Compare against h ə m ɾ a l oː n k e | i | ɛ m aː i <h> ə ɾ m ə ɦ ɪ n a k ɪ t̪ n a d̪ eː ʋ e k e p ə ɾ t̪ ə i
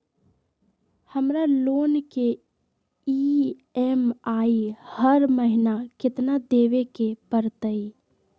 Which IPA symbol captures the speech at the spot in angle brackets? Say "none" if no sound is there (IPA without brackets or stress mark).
h